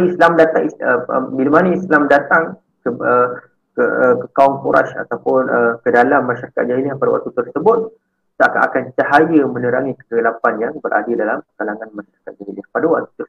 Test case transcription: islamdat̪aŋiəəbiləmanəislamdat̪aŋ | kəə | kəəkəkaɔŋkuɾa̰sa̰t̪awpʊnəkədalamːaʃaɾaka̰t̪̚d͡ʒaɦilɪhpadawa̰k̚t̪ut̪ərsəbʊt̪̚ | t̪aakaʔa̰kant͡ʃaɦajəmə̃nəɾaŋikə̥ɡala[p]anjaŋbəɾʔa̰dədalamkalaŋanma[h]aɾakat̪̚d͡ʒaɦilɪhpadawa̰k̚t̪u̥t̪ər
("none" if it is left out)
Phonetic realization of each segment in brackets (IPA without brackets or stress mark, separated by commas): p, ʃ